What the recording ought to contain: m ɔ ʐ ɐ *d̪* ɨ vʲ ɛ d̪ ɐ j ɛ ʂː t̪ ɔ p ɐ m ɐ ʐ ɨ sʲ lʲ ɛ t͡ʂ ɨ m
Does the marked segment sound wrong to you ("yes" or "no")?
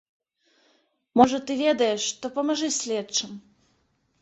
yes